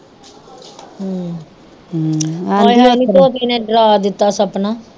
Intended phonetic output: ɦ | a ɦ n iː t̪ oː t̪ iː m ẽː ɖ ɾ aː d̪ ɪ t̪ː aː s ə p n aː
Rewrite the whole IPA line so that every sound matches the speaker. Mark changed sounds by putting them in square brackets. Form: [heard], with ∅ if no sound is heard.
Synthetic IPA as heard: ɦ | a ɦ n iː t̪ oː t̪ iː [n] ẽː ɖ ɾ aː d̪ ɪ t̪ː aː s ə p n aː